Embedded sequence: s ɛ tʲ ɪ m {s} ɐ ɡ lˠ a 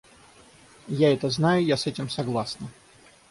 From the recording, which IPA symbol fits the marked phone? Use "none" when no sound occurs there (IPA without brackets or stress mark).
s